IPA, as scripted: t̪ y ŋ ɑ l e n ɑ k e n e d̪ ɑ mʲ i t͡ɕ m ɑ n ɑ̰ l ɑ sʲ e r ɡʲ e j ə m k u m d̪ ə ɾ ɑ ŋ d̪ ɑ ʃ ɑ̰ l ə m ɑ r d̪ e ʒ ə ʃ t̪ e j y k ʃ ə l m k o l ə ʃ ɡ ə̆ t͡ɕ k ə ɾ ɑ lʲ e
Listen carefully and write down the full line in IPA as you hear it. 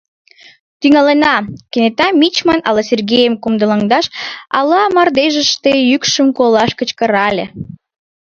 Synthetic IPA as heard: t̪ y ŋ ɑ l e n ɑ k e n e t̪ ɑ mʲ i t͡ɕ m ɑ n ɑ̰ l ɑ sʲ e r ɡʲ e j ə m k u m d̪ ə l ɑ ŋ d̪ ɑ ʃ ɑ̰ l ɑ m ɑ r d̪ e ʒ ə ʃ t̪ e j y k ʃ ə m k o l ɑ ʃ k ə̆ t͡ɕ k ə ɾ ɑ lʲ e